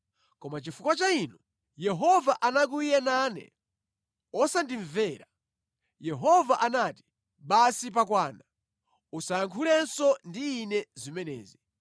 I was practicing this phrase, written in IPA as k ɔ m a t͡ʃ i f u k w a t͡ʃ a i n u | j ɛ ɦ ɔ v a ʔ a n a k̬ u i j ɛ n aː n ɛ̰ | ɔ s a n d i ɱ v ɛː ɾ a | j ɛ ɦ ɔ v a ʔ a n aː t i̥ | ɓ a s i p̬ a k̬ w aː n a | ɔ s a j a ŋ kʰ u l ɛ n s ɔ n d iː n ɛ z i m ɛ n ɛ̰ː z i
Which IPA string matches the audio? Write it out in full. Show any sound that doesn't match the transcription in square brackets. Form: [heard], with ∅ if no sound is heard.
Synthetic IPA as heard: k ɔ m a t͡ʃ i f u k w a t͡ʃ a i n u | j ɛ ɦ ɔ v a ʔ a n a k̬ u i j ɛ n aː n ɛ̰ | ɔ s a n d i ɱ v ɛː ɾ a | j ɛ ɦ ɔ v a ʔ a n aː t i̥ | ɓ a s i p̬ a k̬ w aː n a | [u] s a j a ŋ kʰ u l ɛ n s ɔ n d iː n ɛ z i m ɛ n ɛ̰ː z i